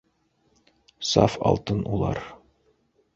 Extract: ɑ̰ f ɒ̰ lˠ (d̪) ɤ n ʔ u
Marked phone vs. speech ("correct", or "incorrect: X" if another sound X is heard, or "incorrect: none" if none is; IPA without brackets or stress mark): incorrect: t̪